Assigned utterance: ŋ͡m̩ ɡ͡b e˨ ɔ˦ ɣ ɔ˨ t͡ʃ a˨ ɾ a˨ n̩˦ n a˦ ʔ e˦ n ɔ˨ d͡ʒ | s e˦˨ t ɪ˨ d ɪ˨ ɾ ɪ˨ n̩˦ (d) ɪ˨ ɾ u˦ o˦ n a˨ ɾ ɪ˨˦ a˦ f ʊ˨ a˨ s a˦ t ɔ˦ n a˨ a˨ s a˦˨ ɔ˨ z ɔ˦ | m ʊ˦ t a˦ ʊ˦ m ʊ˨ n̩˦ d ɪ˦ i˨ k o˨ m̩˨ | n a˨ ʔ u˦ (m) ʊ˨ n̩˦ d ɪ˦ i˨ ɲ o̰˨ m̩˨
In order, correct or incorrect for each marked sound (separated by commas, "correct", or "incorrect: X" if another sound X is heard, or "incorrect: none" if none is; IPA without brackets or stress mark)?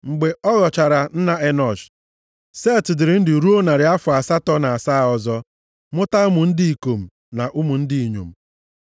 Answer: correct, correct